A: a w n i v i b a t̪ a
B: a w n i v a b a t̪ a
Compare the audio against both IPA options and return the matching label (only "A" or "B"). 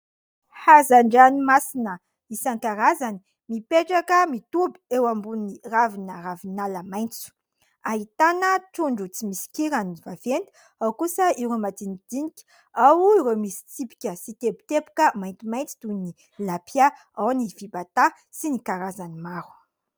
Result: A